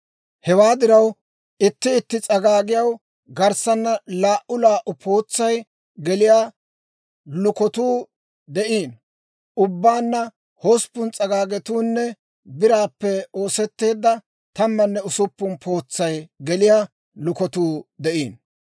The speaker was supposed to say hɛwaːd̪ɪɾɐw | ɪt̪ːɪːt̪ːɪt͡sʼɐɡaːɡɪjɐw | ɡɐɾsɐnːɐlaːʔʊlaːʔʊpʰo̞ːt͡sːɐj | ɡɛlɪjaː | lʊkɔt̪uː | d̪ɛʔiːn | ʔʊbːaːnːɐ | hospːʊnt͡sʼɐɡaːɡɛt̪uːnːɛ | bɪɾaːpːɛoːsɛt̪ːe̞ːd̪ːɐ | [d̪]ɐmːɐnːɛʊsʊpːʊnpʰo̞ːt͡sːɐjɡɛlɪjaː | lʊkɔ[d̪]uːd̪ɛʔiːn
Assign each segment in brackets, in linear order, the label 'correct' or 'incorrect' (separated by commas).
incorrect, incorrect